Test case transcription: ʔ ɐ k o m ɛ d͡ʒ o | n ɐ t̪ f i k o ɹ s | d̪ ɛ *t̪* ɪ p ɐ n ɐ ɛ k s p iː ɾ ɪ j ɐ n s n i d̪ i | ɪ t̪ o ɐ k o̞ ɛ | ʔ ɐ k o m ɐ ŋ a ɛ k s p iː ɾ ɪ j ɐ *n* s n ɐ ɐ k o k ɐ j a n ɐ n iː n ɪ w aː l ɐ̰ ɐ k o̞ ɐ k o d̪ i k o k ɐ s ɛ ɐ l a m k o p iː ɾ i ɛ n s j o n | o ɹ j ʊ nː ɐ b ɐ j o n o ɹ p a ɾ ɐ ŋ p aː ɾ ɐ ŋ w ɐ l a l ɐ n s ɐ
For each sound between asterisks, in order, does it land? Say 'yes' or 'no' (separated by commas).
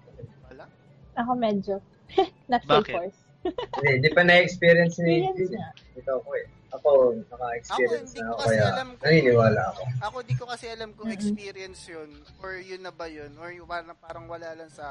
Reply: no, yes